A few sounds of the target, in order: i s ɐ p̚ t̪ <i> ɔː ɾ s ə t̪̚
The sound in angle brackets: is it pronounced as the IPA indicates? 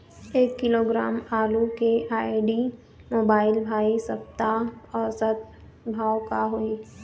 no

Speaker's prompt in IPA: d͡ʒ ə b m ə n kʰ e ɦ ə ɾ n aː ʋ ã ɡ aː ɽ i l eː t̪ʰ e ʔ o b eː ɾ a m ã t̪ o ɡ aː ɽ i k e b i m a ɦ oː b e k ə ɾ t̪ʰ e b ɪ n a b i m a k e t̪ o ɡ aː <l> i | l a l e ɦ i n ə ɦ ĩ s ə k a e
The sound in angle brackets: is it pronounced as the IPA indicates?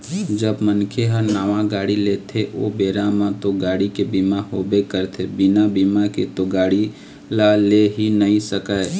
no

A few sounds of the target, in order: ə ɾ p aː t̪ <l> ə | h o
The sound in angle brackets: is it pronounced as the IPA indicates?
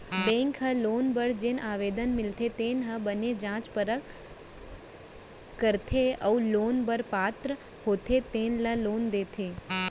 no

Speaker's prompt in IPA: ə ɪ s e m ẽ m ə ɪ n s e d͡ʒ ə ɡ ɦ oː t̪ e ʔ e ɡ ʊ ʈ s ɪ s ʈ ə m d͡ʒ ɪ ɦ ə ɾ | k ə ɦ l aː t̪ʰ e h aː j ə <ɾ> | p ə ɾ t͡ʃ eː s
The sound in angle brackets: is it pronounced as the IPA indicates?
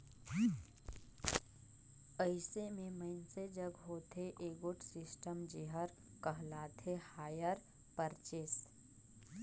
yes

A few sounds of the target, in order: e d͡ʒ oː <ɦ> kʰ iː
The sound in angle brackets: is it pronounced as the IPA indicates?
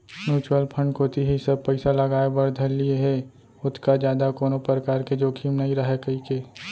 no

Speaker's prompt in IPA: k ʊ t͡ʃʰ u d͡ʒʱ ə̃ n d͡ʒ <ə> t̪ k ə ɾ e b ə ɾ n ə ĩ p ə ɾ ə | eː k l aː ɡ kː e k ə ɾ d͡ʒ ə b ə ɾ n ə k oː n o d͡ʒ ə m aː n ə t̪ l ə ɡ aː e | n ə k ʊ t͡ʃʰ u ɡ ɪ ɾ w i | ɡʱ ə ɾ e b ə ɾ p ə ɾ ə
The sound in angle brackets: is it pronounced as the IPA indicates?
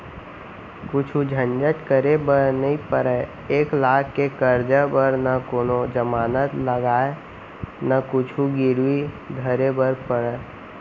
yes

